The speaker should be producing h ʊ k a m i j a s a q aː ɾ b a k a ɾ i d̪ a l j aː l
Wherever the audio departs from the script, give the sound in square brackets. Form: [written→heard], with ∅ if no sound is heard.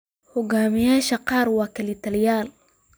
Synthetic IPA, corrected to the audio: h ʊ [k→ɡ] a m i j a [s→ʃ] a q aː ɾ [b→w] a k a [ɾ→l] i [d̪→t̪] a l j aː l